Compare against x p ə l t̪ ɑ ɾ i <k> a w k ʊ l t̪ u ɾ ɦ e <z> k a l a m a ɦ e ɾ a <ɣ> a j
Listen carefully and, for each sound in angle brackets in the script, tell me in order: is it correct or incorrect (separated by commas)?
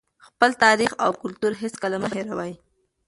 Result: incorrect, incorrect, incorrect